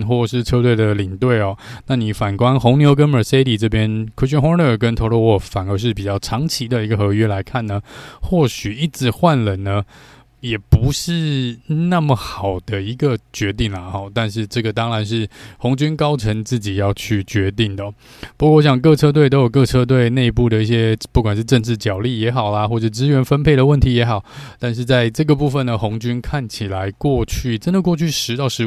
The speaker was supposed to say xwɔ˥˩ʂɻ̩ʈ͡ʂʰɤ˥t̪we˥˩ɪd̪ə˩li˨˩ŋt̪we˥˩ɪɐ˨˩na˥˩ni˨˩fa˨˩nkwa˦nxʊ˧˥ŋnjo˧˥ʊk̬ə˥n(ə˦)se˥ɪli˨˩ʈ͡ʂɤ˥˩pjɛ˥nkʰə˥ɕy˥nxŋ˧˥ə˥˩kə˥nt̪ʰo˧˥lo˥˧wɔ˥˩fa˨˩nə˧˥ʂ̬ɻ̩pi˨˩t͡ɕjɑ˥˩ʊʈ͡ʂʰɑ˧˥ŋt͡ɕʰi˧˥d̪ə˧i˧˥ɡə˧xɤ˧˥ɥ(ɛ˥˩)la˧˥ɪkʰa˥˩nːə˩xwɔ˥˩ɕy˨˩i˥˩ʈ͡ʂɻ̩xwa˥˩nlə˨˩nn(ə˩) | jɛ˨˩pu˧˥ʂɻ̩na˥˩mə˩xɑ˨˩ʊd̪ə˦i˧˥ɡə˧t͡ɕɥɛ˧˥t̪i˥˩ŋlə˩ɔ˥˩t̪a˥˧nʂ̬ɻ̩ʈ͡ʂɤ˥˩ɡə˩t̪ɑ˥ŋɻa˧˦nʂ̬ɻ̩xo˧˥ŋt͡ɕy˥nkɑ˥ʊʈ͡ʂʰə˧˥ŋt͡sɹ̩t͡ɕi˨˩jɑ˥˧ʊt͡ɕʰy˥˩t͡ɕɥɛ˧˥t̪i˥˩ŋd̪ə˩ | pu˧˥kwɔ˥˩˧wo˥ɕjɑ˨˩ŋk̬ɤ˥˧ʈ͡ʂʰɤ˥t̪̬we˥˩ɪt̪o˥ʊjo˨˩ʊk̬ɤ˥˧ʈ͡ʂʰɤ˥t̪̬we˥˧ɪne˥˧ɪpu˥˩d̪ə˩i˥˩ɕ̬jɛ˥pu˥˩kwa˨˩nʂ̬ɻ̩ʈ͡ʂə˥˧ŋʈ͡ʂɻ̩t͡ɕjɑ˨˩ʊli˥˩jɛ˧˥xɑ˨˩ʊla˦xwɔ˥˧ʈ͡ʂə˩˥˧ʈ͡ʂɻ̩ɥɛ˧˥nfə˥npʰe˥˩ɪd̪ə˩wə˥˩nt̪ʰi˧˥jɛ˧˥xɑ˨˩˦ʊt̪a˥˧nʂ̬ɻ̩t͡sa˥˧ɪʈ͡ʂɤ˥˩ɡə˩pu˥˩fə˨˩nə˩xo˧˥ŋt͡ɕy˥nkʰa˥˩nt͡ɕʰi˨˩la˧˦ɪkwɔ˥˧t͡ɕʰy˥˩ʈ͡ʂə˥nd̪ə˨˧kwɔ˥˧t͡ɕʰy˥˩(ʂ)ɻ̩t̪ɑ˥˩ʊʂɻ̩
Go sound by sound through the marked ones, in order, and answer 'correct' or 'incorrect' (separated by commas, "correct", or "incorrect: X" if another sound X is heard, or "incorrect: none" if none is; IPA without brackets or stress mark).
incorrect: ə˨˩, incorrect: ɛ˥, incorrect: ə˦, correct